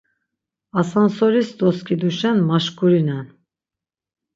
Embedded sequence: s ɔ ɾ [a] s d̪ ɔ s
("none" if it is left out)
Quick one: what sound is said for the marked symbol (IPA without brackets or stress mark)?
i